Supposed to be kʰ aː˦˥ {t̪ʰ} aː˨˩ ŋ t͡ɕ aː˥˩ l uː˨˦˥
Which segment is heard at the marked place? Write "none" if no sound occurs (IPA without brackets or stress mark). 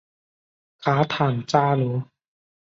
t̪ʰ